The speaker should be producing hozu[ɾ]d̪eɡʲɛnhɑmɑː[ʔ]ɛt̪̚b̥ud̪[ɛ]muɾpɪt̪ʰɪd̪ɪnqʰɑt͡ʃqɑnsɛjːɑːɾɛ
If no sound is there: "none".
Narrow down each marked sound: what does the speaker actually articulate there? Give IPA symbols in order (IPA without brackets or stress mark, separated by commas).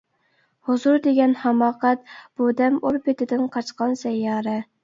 ɾ, q, ɛ